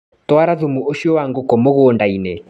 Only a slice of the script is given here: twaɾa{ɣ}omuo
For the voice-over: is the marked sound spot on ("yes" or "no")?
no